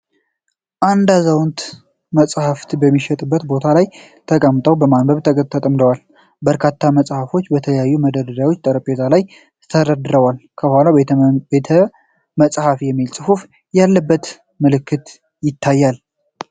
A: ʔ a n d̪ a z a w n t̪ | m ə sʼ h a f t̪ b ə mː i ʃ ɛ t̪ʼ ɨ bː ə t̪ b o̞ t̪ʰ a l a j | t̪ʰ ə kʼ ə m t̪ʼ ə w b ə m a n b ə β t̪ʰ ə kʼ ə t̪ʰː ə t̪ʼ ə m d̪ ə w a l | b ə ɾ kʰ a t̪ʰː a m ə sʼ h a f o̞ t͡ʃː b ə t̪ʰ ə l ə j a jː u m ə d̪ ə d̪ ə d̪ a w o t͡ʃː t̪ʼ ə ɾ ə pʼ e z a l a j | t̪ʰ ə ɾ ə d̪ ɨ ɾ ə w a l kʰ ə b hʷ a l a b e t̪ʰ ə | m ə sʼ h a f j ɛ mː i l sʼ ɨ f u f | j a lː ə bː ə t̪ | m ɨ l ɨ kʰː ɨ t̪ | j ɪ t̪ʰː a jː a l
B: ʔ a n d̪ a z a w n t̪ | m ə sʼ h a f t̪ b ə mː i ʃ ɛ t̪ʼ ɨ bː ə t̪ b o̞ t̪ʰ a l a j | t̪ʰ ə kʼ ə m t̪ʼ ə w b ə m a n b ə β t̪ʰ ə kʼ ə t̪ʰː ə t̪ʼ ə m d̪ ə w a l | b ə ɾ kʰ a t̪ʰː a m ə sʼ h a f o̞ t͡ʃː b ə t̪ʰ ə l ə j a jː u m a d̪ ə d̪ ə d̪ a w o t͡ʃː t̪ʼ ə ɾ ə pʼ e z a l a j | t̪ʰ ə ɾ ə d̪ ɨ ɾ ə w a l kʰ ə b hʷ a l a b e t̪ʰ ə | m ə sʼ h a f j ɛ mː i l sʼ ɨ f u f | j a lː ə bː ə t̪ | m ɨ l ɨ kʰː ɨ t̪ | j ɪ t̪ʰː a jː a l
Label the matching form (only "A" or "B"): A